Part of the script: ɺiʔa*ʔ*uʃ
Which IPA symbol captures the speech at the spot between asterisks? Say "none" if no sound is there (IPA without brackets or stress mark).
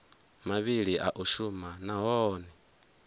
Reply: ʔ